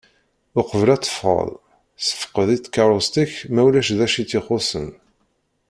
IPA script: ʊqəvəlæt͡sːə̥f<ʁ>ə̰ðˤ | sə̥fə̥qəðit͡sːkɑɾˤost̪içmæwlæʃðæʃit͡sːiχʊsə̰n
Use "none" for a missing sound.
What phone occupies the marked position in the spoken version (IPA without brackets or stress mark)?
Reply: ʁ